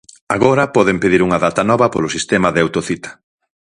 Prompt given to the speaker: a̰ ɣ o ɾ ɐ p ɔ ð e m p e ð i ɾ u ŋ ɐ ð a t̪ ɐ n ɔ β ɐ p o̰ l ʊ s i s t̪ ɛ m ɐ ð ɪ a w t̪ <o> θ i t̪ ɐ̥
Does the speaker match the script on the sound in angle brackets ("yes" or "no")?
yes